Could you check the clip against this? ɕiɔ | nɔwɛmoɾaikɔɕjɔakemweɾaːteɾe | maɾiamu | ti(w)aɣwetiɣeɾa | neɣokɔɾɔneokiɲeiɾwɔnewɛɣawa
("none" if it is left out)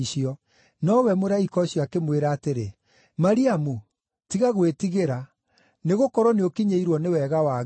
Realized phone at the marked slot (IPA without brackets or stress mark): ɣ